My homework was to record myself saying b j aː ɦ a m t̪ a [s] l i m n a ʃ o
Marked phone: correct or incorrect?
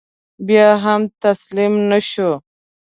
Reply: correct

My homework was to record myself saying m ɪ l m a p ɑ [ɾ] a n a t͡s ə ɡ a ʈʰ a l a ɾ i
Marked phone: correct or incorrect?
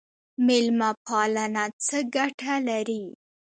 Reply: incorrect: l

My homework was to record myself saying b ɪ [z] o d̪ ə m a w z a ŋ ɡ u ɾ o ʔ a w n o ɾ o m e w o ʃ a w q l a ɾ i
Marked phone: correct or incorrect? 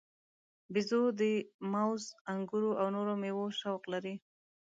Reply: correct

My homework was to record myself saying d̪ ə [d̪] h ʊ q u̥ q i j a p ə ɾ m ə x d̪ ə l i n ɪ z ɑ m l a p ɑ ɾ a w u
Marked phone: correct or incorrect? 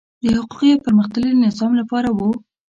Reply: incorrect: none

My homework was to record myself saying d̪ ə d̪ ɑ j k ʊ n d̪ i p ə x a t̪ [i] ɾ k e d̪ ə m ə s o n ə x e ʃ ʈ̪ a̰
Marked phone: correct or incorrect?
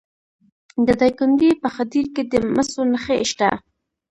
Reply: correct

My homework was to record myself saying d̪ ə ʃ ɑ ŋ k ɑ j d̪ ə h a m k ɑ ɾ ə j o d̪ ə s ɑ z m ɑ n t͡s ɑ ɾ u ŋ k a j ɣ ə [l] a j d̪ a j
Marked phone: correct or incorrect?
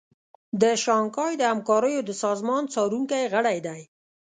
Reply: incorrect: ɽ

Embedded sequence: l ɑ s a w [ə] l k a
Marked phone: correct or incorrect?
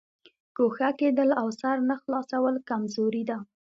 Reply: correct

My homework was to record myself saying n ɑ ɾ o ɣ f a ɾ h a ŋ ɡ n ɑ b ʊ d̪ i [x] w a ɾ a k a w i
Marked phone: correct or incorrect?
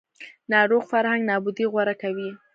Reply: incorrect: ɣ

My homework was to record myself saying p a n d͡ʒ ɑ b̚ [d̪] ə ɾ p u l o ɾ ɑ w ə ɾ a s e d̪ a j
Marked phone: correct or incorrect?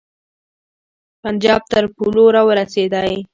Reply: incorrect: t̪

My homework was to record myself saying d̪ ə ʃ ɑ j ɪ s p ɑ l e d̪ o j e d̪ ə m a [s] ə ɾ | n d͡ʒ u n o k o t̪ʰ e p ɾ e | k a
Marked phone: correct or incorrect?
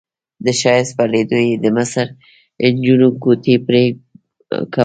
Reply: correct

